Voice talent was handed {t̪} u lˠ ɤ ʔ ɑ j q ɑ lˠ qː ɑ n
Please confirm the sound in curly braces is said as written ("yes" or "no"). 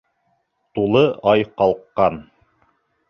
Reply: yes